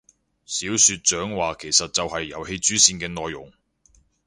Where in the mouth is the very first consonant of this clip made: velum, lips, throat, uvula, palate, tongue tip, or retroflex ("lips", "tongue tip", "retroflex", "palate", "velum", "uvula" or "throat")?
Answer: tongue tip